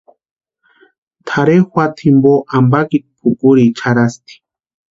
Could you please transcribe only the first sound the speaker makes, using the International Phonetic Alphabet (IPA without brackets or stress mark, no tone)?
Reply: t̪ʰ